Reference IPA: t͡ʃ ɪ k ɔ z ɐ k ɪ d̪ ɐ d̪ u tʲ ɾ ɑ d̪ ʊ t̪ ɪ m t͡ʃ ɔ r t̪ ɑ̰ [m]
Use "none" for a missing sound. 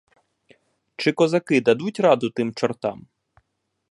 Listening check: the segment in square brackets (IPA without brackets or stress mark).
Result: m